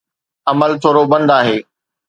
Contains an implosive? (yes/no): no